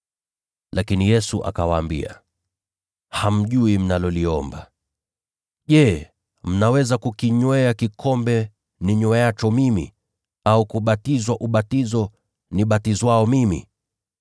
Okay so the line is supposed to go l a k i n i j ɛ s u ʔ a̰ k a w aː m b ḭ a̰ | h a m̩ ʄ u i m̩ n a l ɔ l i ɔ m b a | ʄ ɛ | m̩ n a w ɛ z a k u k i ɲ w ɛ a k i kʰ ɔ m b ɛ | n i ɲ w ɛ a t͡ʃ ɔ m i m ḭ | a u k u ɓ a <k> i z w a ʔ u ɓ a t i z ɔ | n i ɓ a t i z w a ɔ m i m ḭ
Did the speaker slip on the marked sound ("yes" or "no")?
yes